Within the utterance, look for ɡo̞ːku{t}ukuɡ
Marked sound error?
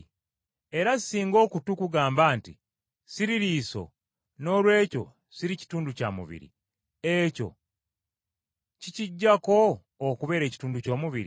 no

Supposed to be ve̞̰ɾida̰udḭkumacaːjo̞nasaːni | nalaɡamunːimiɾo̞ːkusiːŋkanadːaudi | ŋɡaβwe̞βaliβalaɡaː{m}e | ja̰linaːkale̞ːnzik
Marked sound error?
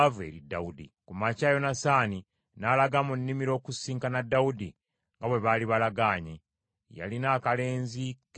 yes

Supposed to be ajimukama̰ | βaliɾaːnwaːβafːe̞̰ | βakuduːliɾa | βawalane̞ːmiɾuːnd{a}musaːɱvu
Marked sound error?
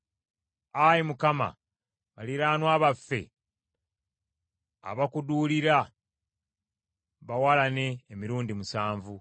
yes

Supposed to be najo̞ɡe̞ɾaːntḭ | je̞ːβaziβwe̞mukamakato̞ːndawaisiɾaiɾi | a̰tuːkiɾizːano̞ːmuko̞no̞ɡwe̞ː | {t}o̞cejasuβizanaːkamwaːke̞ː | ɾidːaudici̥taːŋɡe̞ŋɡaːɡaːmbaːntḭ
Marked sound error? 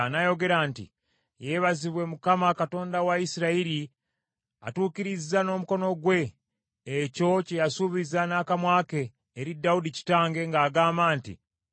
yes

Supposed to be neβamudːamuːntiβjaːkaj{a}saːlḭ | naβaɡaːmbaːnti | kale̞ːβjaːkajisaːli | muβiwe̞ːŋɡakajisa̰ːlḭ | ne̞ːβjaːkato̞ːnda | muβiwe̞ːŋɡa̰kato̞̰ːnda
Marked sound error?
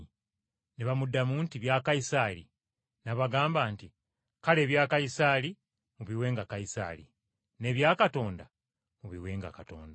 yes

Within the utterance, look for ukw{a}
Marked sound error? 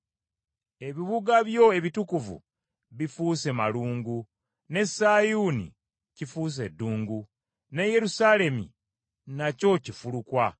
no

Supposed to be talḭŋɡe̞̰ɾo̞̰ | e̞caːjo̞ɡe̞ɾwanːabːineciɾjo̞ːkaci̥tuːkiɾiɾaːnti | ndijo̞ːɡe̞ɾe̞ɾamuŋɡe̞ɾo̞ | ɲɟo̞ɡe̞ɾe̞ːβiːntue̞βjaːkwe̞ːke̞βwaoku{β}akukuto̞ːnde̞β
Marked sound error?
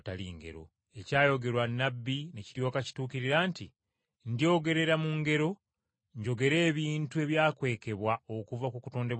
yes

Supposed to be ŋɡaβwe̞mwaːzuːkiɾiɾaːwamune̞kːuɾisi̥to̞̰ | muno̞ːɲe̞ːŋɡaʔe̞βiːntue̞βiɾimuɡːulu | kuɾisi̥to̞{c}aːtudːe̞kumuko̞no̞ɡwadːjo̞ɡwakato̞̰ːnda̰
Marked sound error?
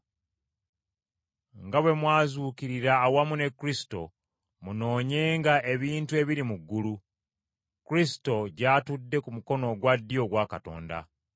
yes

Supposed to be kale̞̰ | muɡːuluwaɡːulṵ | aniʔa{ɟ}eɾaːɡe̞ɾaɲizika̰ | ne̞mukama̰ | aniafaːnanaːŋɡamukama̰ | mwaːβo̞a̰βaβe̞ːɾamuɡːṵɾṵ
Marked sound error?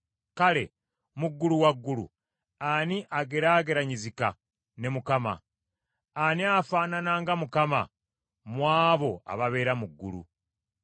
yes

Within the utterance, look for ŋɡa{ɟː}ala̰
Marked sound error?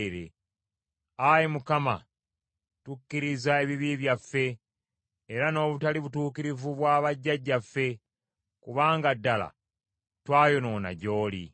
yes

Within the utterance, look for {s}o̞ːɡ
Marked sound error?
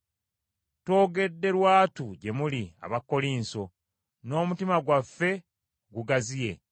yes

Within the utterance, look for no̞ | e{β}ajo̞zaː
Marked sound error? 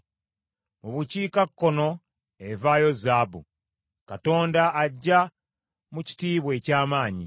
yes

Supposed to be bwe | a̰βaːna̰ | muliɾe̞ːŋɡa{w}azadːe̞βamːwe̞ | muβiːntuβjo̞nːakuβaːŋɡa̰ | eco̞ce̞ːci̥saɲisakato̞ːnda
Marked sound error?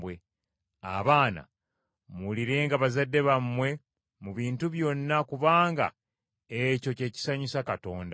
yes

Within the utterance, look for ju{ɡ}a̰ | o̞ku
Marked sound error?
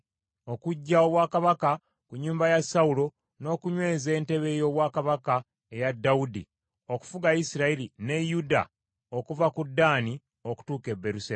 yes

